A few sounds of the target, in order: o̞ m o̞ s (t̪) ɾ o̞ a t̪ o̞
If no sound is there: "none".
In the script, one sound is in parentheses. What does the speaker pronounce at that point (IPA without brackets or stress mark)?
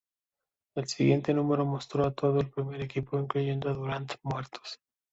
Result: t̪